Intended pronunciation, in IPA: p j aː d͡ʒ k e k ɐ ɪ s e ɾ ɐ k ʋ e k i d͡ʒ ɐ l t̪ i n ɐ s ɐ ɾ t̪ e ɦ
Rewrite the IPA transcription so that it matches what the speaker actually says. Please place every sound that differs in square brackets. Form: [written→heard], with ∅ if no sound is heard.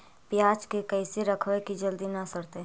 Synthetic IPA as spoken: p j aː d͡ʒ k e k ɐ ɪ s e ɾ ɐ [k→kʰ] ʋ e k i d͡ʒ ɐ l [t̪→d̪] i n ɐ s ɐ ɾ t̪ e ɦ

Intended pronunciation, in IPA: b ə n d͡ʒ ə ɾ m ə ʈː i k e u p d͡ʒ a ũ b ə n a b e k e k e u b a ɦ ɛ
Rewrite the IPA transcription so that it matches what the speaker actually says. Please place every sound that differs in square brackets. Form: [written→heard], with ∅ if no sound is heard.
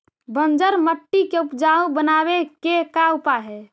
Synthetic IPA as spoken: b ə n d͡ʒ ə ɾ m ə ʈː i k e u p d͡ʒ a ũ b ə n a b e k e k [e→a] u [b→p] a ɦ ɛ

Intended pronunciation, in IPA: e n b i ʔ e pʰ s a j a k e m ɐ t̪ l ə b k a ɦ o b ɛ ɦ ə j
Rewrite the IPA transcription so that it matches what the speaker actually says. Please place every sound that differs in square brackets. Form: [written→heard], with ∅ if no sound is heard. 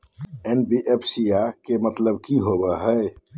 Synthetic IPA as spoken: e n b i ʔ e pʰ s [a→i] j a k e m [ɐ→ə] t̪ l ə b k [a→i] ɦ o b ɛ ɦ ə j

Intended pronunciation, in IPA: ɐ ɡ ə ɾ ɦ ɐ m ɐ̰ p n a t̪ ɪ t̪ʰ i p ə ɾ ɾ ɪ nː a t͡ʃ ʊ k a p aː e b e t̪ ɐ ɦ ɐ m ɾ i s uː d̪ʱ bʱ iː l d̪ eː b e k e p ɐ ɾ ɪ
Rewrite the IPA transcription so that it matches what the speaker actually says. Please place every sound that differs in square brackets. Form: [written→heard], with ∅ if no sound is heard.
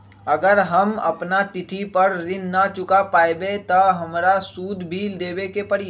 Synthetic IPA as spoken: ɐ ɡ ə ɾ ɦ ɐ m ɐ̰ p n a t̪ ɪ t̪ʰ i p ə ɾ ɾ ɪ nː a t͡ʃ ʊ k a p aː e b e t̪ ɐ ɦ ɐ m ɾ [i→a] s uː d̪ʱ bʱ iː l d̪ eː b e k e p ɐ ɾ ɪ

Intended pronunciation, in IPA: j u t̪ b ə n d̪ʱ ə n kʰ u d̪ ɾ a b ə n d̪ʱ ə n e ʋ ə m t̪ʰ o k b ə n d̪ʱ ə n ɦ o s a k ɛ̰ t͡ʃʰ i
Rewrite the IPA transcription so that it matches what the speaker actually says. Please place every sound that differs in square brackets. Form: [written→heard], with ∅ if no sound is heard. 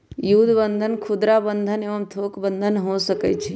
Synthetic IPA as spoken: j u [t̪→d̪] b ə n d̪ʱ ə n kʰ u d̪ ɾ a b ə n d̪ʱ ə n e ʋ ə m t̪ʰ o k b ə n d̪ʱ ə n ɦ o s [a→ə] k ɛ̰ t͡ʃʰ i

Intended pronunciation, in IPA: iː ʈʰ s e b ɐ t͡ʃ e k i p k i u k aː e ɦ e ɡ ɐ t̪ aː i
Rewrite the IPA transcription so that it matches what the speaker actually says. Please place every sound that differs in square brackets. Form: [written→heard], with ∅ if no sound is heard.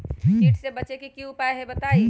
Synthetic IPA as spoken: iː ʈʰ s e b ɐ t͡ʃ e k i [p→∅] k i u [k→p] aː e ɦ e [ɡ→b] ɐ t̪ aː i

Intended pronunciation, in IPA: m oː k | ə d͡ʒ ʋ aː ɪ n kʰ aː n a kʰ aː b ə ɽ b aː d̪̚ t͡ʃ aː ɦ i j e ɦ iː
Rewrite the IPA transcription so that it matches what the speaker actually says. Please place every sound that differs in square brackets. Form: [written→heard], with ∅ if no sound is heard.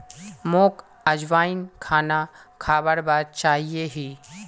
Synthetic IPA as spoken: m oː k | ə d͡ʒ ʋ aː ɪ n kʰ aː n a kʰ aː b ə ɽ b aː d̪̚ t͡ʃ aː ɦ i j e ɦ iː

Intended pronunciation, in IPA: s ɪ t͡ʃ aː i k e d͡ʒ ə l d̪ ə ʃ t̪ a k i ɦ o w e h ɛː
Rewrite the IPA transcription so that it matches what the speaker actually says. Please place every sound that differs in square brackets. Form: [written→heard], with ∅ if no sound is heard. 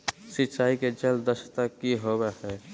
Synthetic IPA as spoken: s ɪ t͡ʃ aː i k e d͡ʒ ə l d̪ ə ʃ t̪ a k i ɦ o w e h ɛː

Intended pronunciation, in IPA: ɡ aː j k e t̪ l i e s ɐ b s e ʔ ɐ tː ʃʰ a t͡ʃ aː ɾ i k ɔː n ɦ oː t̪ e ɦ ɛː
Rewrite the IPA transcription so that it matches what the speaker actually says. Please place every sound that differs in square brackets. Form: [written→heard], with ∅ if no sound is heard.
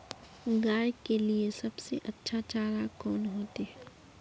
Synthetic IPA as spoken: ɡ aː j k e [t̪→∅] l i e s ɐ b s e ʔ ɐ tː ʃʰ a t͡ʃ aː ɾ [i→a] k ɔː n ɦ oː t̪ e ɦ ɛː

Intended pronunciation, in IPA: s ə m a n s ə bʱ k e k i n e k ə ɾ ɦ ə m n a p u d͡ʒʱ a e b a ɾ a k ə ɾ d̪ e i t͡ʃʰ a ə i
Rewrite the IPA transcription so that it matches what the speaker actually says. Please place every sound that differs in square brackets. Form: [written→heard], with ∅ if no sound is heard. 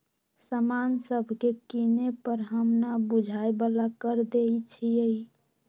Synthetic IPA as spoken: s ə m a n s ə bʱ k e k i n e [k→p] ə ɾ ɦ ə m n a [p→b] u d͡ʒʱ a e b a [ɾ→l] a k ə ɾ d̪ e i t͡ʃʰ [a→i] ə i

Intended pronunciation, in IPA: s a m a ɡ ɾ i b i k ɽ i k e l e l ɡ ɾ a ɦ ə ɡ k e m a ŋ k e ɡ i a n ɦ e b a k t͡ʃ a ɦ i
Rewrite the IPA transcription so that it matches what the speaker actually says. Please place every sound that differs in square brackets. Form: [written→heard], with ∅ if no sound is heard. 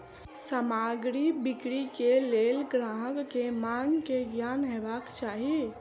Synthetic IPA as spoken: s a m a ɡ ɾ i b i k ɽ i k e l e l ɡ ɾ a ɦ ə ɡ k e m a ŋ k e ɡ [i→j] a n ɦ e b a k t͡ʃ a ɦ i

